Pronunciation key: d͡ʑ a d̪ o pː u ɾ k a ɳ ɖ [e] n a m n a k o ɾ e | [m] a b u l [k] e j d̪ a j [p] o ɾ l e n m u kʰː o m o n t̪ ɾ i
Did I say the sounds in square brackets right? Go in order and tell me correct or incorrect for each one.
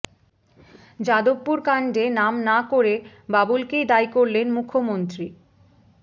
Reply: correct, incorrect, correct, incorrect

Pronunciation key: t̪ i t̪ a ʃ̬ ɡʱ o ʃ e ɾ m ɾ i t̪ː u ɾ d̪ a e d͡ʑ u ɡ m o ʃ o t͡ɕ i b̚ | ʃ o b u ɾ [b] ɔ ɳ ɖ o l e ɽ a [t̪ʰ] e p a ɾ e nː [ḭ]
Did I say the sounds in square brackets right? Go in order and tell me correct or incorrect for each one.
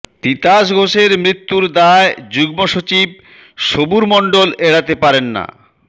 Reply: incorrect, incorrect, incorrect

